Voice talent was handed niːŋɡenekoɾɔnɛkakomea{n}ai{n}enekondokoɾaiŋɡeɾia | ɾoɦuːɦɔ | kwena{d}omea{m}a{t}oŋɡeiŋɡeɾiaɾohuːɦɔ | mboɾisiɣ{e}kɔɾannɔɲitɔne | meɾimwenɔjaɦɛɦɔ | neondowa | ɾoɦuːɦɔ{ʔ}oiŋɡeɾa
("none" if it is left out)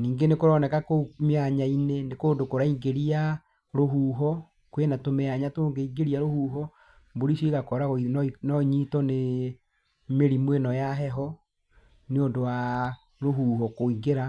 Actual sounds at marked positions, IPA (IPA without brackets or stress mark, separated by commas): ɲ, n, t, ɲ, t, a, k